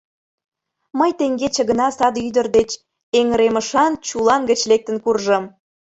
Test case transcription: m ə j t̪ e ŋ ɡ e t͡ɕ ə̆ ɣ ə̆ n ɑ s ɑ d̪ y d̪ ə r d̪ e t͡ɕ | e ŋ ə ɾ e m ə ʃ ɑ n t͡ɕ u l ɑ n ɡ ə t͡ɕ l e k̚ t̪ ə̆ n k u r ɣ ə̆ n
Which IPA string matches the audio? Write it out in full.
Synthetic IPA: m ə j t̪ e ŋ ɡ e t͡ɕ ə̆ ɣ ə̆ n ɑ s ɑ d̪ y d̪ ə r d̪ e t͡ɕ | e ŋ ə ɾ e m ə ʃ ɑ n t͡ɕ u l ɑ n ɡ ə t͡ɕ l e k̚ t̪ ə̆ n k u r ʒ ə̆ m